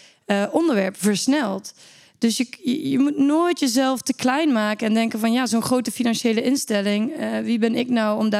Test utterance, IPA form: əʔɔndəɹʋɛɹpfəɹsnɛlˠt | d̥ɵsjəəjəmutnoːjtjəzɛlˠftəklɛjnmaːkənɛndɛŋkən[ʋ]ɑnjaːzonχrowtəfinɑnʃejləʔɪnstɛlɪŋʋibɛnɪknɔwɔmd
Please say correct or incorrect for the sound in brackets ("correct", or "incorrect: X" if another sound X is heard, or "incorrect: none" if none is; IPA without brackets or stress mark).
incorrect: v